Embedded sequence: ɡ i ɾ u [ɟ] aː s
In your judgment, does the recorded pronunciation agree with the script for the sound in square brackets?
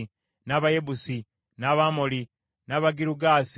no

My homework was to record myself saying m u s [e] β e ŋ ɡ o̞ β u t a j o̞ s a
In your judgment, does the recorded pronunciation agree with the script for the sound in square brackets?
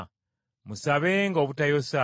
no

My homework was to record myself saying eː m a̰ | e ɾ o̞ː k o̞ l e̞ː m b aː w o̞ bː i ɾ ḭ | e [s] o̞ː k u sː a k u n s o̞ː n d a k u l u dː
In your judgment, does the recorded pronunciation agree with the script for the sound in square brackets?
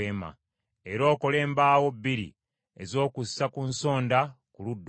no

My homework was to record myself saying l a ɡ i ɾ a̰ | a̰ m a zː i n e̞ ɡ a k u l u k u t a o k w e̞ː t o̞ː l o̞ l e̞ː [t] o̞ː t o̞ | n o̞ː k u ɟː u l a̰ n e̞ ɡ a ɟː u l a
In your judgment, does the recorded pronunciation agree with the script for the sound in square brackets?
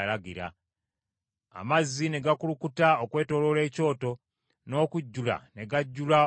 no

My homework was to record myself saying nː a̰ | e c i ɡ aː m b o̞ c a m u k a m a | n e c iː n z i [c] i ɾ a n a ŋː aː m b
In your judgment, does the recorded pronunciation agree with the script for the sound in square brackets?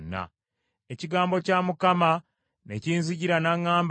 no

